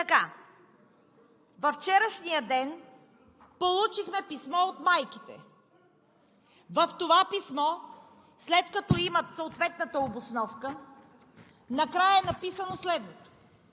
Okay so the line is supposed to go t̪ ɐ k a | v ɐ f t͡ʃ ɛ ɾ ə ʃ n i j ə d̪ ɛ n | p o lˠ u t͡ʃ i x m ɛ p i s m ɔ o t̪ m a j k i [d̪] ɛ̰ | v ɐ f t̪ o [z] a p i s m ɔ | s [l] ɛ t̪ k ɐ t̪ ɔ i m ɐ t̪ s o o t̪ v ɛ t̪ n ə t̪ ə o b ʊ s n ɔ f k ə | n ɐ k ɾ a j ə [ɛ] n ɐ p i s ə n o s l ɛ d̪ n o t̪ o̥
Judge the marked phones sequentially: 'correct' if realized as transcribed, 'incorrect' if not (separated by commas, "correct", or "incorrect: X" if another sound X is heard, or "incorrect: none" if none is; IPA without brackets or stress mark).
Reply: incorrect: t̪, incorrect: v, correct, correct